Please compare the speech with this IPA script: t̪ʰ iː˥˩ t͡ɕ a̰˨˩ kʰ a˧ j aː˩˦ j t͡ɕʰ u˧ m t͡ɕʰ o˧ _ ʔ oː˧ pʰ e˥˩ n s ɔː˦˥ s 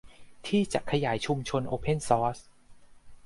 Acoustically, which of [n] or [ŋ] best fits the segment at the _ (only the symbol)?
n